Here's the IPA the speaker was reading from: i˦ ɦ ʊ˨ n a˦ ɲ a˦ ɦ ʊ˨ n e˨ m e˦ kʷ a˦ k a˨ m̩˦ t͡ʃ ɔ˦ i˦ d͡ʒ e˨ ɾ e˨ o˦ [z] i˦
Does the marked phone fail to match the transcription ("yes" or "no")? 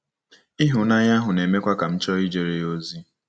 no